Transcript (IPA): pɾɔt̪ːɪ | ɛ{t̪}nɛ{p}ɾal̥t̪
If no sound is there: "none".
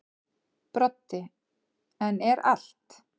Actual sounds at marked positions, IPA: none, none

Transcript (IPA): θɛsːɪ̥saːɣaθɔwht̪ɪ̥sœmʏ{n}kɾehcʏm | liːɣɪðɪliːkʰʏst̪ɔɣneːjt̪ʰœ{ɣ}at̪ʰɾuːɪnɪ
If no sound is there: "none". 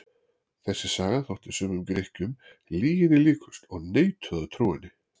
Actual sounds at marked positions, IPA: m, ð

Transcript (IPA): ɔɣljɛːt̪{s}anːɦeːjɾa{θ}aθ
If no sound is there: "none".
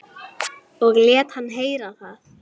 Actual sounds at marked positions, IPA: h, θ

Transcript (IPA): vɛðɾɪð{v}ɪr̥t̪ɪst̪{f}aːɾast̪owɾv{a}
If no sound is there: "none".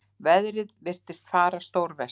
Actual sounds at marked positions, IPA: v, f, ɛ

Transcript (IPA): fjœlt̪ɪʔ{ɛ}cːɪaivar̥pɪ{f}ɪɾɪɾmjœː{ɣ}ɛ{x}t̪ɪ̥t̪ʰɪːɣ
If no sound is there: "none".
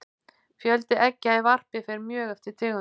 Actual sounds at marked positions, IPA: ɛ, f, ɣ, f

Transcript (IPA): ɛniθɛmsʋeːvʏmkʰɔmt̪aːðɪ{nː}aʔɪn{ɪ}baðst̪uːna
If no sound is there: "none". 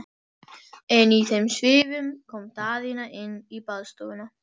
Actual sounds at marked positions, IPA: n, i

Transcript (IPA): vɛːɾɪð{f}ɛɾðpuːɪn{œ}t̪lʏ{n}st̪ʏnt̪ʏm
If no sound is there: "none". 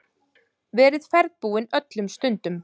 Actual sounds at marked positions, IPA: f, œ, m

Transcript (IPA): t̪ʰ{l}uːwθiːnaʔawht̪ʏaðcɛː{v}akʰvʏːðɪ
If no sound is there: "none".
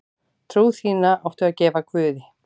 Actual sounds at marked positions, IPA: ɾ, v

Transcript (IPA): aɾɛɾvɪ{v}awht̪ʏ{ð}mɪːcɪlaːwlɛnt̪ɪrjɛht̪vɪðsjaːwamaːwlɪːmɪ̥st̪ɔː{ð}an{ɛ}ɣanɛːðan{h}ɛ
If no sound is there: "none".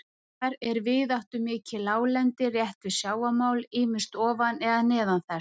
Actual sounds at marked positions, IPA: ð, none, v, ɛ, θ

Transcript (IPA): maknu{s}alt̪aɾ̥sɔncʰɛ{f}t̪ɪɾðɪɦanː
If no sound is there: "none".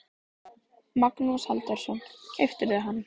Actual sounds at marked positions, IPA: s, f

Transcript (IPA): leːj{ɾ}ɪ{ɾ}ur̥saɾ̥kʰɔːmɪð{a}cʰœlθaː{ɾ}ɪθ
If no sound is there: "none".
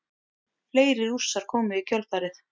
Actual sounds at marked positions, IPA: ɾ, ɾ, i, ɾ

